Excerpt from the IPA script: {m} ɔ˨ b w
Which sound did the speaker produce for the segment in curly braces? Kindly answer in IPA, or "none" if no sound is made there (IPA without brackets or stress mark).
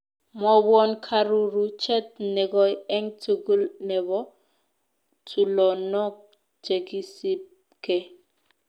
m